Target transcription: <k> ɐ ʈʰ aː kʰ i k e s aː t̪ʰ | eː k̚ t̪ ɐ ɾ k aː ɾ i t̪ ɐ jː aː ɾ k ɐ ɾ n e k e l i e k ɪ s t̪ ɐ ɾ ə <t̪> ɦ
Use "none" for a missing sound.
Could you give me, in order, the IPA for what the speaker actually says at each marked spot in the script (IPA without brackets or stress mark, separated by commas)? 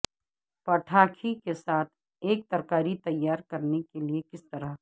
p, none